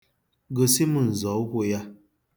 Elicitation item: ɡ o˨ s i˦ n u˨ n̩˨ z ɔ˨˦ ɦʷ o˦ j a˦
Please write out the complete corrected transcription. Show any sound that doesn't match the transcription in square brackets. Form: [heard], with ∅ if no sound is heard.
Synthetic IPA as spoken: ɡ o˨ s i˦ [m] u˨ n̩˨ z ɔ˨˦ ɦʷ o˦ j a˦